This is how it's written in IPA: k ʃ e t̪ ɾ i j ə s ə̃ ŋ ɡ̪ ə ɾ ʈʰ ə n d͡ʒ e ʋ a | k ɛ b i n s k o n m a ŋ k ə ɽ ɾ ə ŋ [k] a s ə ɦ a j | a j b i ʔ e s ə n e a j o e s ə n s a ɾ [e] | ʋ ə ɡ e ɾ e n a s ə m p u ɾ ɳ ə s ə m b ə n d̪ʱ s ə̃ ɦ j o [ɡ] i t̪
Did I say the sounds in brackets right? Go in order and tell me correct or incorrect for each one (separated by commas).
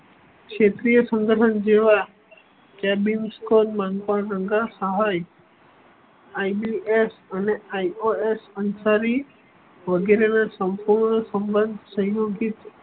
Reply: incorrect, incorrect, correct